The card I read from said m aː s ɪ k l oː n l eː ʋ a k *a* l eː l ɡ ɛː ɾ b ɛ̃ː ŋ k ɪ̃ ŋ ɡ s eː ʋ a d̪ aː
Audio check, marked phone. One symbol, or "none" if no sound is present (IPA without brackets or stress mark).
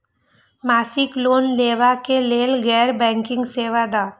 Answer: e